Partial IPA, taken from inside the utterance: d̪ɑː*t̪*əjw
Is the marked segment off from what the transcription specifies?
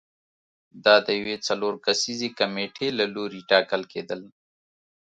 yes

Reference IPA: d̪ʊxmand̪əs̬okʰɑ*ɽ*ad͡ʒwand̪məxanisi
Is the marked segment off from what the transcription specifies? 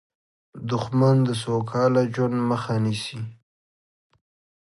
yes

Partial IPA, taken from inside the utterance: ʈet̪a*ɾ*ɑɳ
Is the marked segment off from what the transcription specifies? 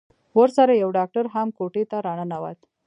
no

